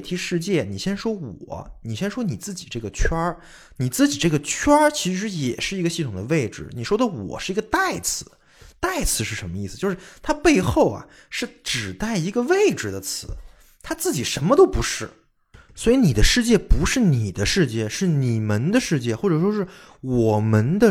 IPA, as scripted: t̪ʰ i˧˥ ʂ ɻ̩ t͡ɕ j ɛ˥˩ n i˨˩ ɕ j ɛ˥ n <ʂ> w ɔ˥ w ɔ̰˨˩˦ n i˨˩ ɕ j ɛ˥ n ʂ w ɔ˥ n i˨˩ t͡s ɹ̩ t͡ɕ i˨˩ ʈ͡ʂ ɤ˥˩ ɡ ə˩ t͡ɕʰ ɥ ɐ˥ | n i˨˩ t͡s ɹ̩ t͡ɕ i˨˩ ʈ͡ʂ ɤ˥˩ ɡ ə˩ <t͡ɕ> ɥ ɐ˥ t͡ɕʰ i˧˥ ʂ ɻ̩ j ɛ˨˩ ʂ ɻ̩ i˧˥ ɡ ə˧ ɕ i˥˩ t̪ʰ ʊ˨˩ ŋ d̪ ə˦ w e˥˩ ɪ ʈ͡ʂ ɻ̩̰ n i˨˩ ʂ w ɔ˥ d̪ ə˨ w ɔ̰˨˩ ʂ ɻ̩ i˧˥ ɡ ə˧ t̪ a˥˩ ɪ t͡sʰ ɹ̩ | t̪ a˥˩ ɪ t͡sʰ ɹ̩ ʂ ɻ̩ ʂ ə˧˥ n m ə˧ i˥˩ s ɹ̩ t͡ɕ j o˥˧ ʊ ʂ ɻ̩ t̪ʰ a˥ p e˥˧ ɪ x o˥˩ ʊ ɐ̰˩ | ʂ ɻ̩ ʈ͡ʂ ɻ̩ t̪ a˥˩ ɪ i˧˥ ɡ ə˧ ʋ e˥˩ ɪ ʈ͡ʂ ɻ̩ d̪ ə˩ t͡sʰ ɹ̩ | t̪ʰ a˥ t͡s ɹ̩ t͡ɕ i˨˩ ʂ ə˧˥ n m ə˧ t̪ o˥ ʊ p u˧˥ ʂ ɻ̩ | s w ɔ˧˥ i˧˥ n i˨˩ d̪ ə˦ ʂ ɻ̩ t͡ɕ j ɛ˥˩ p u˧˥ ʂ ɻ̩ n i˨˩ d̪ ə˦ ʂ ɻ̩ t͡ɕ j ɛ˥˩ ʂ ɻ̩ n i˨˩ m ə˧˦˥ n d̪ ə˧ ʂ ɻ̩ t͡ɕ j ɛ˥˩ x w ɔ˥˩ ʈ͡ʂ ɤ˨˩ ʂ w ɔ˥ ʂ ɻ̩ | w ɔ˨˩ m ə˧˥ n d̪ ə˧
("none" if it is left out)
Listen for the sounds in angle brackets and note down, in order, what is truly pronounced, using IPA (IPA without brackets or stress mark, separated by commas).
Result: ʂ, t͡ɕʰ